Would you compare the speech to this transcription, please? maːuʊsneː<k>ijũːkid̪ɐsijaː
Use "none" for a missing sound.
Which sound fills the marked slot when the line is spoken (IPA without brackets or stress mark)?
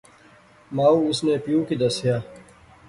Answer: p